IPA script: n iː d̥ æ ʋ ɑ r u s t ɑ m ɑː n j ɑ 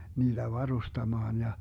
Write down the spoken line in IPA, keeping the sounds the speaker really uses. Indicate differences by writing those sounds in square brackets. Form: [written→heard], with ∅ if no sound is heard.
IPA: n iː d̥ æ ʋ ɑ r u s t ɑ m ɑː n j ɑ